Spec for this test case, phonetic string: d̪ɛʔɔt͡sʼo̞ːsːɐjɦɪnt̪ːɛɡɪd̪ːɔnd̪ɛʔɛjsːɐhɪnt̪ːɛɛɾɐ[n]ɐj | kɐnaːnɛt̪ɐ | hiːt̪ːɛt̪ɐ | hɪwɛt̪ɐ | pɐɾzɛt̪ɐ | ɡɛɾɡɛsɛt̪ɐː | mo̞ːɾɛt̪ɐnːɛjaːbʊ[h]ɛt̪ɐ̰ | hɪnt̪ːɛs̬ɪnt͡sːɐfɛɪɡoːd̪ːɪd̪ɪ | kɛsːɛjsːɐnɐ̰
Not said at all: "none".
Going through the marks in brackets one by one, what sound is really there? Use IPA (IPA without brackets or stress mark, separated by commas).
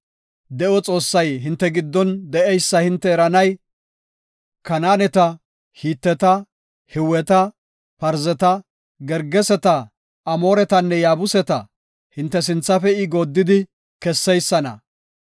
n, s